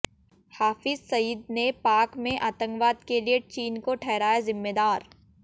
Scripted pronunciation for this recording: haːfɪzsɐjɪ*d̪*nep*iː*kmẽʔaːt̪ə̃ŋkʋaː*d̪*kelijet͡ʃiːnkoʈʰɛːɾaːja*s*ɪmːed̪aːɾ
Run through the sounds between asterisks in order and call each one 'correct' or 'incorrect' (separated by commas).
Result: correct, incorrect, correct, incorrect